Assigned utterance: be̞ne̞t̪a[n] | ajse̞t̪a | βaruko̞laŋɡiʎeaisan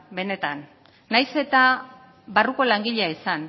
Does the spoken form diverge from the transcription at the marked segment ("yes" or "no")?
yes